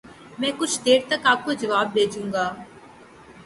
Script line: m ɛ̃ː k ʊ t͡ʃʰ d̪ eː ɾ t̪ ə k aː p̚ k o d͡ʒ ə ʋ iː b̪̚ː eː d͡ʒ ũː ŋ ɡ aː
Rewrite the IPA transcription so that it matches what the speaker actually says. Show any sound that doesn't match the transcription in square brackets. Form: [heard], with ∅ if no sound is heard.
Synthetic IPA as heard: m ɛ̃ː k ʊ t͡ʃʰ d̪ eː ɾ t̪ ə k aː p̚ k o d͡ʒ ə ʋ [aː] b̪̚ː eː d͡ʒ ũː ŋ ɡ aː